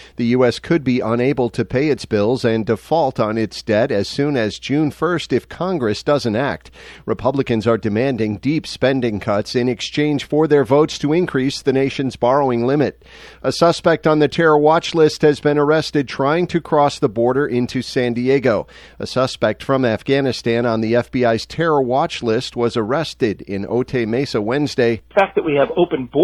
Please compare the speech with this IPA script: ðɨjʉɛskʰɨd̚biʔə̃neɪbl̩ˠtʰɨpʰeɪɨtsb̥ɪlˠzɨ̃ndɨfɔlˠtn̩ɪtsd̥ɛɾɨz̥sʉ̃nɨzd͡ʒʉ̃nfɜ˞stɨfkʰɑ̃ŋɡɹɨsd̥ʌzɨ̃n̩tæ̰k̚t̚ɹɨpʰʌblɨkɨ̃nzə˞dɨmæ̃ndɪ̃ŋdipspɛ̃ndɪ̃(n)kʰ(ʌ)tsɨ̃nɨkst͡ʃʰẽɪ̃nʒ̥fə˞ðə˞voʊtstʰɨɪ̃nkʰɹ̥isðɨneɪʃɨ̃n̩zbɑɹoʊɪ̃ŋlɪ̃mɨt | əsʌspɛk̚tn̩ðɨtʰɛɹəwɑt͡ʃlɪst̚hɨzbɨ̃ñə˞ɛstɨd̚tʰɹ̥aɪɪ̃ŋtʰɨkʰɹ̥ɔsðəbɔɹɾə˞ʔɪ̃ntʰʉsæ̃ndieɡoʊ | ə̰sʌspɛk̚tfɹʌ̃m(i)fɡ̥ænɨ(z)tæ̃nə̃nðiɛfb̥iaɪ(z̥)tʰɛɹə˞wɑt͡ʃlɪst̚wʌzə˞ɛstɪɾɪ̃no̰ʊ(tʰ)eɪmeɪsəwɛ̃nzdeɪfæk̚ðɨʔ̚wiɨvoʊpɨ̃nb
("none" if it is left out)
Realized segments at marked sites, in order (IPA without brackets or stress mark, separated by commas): ŋ, ʌ, æ, s, z̥, tʰ